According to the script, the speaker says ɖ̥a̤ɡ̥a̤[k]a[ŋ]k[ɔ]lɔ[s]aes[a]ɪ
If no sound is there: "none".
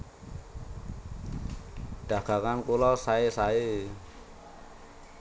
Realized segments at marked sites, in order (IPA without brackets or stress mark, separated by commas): k, n, u, s, a